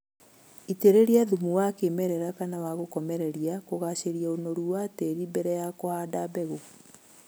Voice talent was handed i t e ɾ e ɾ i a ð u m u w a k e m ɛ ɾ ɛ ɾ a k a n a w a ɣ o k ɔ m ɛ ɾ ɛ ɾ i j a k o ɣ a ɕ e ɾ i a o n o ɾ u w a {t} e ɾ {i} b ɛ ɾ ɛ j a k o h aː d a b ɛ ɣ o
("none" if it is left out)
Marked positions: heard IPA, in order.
t, i

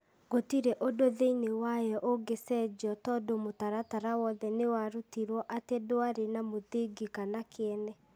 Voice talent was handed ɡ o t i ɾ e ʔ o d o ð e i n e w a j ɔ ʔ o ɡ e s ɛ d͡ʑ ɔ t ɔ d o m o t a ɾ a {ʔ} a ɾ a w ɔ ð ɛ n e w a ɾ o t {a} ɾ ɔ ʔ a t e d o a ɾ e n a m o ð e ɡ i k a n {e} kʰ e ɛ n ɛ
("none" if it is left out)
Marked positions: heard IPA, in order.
t, i, a

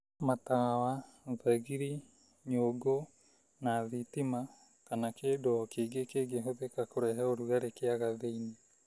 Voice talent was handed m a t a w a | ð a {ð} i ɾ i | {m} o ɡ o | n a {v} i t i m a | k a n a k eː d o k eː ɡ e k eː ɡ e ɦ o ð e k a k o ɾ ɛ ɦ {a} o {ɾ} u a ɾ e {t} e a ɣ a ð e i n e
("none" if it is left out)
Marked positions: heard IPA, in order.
ɣ, ɲ, ð, ɛ, ɾ, k

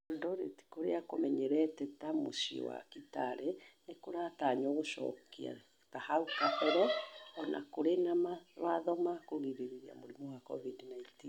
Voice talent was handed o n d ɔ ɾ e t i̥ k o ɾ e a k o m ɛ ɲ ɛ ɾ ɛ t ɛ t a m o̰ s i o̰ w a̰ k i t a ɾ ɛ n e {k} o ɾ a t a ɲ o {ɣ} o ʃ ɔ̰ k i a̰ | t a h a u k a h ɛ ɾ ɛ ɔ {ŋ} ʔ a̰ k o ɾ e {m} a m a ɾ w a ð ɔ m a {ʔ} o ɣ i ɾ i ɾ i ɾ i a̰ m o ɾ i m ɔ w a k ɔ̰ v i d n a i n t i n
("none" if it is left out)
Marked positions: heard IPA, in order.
k, ɣ, n, n, k

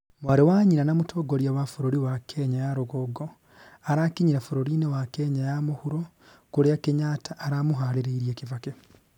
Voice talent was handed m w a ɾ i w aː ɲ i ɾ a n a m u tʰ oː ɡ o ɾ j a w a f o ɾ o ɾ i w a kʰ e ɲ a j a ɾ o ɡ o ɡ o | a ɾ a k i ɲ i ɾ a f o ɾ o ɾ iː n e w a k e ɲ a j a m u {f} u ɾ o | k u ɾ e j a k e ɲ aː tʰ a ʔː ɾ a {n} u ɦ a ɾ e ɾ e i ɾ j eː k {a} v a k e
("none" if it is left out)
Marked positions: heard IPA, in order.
h, m, i

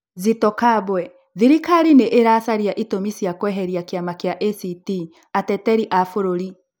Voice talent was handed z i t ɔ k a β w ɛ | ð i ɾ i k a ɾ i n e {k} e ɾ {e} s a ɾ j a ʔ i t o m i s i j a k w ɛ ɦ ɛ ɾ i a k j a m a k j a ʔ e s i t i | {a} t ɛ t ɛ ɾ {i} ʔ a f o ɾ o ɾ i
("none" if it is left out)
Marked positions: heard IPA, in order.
ʔ, a, a, i

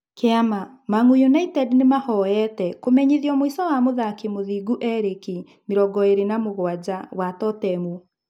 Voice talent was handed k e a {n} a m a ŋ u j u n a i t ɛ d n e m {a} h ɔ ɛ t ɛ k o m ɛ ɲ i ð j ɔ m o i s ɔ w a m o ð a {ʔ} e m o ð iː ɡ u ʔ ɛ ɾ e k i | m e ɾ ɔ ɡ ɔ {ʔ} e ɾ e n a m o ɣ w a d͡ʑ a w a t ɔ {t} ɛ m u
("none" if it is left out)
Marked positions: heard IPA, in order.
m, a, k, none, t

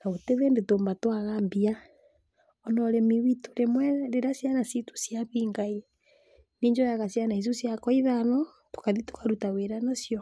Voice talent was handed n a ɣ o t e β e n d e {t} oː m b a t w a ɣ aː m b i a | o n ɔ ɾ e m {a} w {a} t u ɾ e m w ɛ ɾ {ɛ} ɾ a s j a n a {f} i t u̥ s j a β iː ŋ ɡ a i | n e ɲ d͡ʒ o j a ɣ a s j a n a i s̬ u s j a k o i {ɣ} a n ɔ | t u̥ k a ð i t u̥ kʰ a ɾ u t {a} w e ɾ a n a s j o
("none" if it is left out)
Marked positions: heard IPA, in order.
t, i, i, e, s, ð, a

